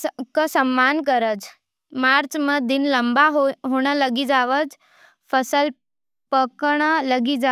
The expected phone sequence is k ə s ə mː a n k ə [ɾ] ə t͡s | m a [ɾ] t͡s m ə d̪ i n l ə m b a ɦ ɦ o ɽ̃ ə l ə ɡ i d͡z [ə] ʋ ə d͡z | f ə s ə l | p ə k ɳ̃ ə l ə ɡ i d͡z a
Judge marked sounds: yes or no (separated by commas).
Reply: yes, yes, no